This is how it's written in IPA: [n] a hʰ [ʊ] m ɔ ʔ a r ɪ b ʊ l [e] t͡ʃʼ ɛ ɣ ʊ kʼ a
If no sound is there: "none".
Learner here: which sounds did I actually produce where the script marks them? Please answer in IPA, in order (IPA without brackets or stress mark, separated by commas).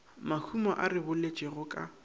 m, u, e